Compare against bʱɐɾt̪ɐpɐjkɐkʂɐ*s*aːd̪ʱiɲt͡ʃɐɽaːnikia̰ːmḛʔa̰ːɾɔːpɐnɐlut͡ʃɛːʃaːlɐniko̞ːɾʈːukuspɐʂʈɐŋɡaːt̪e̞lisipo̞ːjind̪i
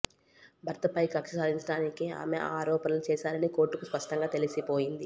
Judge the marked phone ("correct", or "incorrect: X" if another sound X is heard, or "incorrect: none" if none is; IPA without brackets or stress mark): correct